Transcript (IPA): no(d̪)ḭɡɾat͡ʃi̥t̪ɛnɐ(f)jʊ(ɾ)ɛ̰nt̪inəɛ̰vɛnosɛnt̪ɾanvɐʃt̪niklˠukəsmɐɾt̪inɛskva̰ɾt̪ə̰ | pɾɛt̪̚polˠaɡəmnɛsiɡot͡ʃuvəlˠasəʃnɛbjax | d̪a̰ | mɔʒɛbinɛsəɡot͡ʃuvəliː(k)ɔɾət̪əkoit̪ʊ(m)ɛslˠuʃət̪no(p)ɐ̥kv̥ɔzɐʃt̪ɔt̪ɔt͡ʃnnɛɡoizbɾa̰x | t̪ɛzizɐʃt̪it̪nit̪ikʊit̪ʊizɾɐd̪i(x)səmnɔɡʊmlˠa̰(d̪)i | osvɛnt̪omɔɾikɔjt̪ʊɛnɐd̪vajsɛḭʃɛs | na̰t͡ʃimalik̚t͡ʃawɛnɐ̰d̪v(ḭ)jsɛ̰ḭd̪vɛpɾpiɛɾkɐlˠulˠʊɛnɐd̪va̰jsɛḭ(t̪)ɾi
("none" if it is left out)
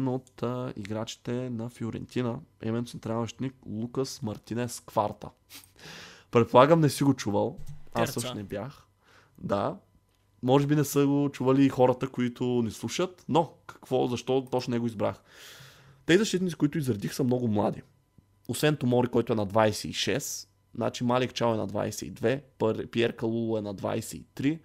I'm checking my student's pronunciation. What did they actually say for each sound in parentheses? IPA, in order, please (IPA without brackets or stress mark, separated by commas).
t̪, f, ɾ, x, n, k, x, d̪, a̰, t̪